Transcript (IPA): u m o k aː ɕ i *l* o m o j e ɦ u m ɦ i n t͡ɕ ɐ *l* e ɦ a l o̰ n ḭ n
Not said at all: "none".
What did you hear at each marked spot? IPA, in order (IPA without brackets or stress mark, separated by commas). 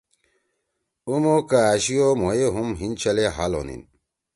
none, l